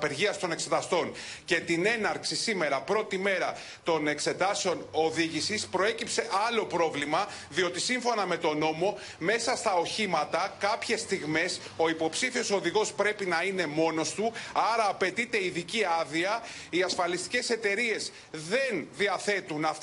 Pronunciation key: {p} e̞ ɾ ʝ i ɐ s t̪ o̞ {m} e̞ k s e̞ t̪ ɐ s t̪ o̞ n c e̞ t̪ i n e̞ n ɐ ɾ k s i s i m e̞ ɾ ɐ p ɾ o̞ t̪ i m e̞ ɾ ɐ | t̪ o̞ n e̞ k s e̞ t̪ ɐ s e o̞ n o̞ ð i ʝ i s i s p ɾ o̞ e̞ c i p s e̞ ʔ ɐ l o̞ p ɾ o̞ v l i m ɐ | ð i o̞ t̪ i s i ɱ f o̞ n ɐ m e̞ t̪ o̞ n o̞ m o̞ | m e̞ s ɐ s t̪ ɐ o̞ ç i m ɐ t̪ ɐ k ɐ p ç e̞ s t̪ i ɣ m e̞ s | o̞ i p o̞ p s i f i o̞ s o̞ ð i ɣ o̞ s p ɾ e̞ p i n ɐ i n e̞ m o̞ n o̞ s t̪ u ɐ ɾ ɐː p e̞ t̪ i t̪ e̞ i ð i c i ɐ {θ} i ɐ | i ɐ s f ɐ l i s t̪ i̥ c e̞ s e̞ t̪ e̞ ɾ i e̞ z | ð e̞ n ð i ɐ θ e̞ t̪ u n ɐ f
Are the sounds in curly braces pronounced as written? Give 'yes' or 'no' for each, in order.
yes, no, no

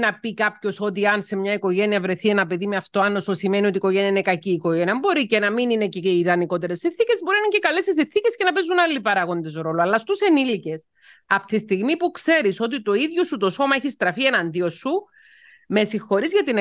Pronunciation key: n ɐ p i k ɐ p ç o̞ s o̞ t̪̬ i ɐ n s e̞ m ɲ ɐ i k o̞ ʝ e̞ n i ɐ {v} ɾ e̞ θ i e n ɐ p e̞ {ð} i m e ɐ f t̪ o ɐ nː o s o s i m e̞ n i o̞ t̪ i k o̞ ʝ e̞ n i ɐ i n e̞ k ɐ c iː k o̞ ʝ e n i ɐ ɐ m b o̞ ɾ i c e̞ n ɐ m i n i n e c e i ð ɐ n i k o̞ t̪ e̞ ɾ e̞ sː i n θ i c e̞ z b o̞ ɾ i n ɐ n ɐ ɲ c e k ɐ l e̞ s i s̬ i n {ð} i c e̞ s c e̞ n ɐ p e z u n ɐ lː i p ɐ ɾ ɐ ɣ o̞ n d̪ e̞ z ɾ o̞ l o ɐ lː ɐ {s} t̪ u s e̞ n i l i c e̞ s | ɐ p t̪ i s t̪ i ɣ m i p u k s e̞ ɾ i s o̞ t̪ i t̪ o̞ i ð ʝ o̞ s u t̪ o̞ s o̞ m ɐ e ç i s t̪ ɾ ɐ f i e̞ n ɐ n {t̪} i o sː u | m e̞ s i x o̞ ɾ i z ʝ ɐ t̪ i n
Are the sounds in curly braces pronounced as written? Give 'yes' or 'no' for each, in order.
yes, yes, no, yes, no

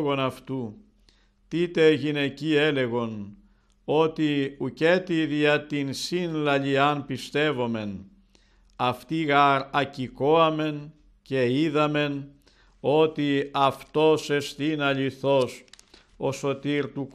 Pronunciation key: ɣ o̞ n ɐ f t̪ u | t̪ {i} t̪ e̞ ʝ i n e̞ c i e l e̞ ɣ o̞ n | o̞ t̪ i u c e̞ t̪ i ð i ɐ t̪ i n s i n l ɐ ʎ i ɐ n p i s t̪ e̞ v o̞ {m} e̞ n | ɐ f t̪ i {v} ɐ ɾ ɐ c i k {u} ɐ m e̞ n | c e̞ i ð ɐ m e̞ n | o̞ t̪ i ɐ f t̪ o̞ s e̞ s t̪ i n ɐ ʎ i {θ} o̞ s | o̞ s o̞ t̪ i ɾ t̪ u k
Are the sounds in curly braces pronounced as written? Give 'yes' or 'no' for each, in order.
yes, yes, no, no, yes

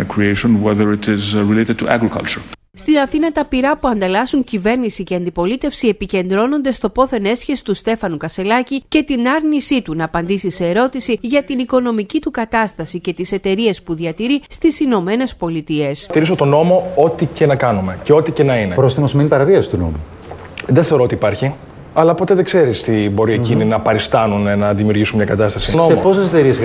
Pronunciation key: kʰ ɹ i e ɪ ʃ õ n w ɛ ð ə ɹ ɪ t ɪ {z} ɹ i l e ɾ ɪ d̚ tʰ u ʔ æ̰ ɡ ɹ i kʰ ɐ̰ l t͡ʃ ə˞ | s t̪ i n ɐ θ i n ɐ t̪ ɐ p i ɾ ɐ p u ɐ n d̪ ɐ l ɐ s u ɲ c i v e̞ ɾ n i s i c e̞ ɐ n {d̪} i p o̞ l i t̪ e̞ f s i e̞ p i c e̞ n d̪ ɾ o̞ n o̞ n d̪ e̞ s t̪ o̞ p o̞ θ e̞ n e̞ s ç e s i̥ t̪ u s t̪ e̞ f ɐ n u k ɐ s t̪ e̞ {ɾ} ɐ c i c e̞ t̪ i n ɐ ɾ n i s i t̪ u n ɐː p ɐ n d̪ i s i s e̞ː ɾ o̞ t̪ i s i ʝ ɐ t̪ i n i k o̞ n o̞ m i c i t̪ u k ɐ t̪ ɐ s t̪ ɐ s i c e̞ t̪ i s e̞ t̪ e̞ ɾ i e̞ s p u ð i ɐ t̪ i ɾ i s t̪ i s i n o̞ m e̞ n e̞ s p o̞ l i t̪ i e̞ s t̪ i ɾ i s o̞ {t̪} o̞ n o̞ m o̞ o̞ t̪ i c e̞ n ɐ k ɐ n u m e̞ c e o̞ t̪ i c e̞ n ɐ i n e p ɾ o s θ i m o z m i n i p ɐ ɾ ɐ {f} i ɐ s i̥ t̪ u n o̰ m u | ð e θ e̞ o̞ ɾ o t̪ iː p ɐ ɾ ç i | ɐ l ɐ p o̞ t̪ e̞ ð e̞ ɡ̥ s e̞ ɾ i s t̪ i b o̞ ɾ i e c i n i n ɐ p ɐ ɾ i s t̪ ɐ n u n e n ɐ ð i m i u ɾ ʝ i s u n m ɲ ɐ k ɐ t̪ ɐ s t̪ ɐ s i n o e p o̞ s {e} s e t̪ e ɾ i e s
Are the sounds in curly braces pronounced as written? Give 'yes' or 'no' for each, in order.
yes, yes, no, yes, no, yes

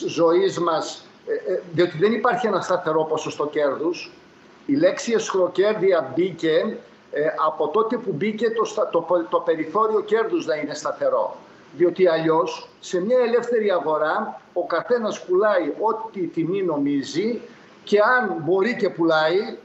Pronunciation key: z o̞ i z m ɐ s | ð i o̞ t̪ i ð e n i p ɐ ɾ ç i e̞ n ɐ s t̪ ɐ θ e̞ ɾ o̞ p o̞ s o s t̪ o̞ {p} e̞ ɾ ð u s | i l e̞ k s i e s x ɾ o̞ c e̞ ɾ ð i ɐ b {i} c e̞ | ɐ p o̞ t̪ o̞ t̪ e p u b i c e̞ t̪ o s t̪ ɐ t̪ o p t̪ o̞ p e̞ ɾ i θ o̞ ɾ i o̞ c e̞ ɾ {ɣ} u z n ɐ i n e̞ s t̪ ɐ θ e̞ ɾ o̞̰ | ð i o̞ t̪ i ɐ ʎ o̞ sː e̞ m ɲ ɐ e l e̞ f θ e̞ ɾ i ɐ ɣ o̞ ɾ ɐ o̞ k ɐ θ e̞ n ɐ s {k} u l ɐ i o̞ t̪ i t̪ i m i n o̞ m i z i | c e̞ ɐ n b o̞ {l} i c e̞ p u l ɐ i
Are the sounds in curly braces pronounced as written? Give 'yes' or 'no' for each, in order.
no, yes, no, no, no

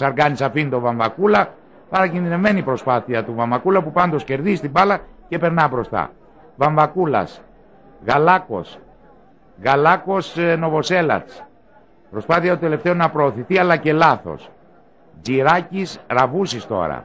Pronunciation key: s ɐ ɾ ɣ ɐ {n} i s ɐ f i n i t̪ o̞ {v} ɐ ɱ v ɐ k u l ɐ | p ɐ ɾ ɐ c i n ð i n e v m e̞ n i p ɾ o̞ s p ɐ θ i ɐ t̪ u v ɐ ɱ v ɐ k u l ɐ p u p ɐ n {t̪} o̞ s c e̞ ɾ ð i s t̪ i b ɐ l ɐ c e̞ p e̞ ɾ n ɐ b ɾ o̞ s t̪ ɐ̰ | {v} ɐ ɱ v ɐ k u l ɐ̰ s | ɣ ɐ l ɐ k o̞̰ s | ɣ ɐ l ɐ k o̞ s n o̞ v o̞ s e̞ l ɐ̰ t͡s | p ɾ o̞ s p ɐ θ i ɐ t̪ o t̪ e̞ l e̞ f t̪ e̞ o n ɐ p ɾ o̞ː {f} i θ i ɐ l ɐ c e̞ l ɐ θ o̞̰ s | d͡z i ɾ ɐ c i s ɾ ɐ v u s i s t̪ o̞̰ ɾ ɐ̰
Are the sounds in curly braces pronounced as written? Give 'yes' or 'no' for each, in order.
yes, yes, no, yes, no

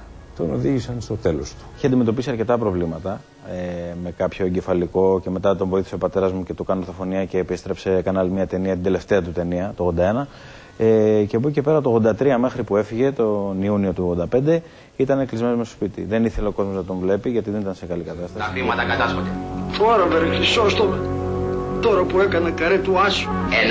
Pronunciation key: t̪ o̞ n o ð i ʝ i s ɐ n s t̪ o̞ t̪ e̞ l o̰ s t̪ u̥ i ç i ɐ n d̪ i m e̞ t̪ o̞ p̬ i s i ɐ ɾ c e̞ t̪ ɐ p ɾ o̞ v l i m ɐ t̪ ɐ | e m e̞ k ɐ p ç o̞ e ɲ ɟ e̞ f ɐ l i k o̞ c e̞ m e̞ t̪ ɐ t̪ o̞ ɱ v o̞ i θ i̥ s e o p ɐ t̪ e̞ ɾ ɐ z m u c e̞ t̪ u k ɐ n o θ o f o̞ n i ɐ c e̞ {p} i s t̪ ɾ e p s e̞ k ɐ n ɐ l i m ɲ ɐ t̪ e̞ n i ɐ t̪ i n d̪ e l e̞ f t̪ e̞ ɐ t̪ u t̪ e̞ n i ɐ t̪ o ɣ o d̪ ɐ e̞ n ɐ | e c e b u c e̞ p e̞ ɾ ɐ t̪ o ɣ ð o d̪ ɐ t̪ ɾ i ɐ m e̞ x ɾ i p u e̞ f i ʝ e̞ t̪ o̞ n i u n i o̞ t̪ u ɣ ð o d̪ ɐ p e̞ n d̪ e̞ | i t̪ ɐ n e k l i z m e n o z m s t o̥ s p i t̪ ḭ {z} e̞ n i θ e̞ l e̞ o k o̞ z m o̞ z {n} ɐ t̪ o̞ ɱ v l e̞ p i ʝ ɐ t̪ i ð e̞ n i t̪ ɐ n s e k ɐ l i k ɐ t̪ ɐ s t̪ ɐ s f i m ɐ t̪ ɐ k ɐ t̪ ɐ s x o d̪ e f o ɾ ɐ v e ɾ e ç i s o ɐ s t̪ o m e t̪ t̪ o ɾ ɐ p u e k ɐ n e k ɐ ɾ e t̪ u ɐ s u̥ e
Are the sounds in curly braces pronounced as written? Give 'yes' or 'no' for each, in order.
yes, no, yes

